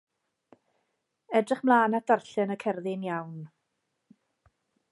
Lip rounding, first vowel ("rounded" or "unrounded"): unrounded